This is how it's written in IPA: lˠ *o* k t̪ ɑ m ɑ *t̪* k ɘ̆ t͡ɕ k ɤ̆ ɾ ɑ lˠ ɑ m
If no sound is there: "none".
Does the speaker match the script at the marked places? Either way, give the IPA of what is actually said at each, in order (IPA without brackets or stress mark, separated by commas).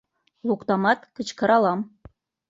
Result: u, t̪